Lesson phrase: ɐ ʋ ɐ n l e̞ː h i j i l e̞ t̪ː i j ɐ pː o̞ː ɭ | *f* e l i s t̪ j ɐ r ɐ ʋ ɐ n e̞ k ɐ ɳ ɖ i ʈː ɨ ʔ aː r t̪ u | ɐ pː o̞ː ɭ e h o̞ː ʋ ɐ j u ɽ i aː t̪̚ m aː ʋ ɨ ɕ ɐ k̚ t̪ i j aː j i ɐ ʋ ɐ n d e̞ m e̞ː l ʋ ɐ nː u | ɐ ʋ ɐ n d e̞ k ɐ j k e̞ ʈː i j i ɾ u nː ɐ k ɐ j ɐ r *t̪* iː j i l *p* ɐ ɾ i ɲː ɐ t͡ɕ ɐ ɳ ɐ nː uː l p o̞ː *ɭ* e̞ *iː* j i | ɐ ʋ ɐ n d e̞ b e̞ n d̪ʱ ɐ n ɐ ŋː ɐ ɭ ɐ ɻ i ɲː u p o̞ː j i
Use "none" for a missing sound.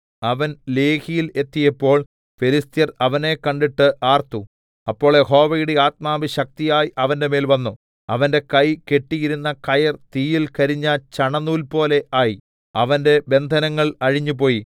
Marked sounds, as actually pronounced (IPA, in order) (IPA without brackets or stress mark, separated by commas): f, t̪, k, l, aː